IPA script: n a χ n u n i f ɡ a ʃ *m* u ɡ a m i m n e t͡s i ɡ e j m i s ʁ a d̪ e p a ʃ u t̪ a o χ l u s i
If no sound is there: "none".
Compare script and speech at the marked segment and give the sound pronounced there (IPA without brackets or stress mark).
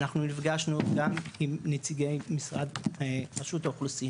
n